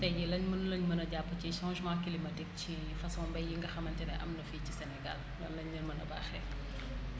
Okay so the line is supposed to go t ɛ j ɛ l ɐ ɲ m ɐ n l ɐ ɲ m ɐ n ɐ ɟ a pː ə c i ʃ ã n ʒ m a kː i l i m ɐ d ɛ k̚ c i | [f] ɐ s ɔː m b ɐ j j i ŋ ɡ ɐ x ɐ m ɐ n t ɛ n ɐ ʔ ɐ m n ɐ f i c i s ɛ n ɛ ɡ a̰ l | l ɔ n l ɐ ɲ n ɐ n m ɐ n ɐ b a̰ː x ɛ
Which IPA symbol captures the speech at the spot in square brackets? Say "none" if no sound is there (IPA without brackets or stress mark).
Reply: f